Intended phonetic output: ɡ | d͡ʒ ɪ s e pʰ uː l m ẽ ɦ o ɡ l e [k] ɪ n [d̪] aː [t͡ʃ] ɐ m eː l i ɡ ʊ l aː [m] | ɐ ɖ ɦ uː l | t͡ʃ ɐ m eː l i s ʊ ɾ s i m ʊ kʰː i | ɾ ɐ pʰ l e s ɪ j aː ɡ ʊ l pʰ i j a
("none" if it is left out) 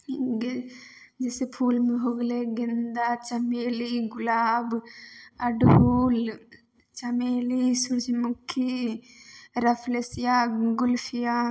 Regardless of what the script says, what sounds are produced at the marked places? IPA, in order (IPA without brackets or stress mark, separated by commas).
ɡ, d̪, t͡ʃ, b